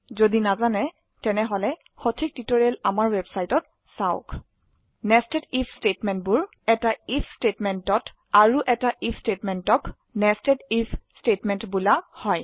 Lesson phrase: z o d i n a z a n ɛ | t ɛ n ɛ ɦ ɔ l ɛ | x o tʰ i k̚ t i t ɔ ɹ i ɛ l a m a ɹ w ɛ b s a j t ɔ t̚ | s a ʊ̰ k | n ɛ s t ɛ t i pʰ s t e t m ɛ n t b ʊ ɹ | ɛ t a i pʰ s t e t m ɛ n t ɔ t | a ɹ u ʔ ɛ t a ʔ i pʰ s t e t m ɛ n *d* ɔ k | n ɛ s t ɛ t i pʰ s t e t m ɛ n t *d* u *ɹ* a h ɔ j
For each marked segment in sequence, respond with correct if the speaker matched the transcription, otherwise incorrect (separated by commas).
incorrect, incorrect, incorrect